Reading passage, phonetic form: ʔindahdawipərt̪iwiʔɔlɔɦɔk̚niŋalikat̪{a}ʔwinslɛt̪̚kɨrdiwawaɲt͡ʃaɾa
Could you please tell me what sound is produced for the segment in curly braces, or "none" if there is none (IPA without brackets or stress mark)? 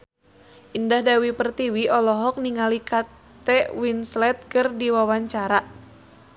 ɛ